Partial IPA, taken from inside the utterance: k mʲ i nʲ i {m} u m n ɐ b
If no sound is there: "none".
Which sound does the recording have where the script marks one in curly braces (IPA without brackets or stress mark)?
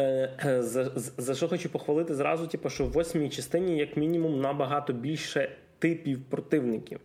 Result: m